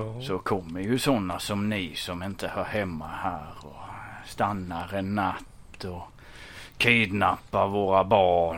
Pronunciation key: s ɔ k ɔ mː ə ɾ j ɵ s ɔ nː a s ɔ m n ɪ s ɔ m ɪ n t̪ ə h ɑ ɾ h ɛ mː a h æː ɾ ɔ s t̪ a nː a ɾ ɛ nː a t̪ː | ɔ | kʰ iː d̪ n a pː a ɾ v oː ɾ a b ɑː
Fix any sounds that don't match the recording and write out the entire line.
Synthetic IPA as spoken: s ɔ kʰ ɔ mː ə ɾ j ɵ s ɔ nː a s ɔ m n ɪ s ɔ m ɪ n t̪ ə h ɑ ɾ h ɛ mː a h æː ɾ ɔ s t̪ a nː a ɾ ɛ nː a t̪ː | ɔ | kʰ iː d̪ n a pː a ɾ v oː ɾ a b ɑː